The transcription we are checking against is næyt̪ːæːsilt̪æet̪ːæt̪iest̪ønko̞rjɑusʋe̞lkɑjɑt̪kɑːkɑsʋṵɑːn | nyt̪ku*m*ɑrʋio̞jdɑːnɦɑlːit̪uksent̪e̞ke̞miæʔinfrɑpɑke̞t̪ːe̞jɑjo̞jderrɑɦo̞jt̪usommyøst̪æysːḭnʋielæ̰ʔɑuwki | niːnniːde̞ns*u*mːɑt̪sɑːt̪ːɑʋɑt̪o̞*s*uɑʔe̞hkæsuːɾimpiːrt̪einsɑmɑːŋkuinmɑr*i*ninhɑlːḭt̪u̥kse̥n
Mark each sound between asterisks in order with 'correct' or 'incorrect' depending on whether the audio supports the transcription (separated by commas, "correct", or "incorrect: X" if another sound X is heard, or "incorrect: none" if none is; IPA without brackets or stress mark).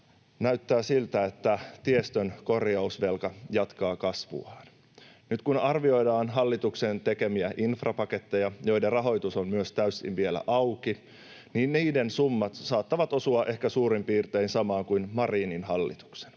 incorrect: n, correct, correct, incorrect: iː